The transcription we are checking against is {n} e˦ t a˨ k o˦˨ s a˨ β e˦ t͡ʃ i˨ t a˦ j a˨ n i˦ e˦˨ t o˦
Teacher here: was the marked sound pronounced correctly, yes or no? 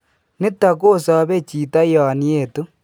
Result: yes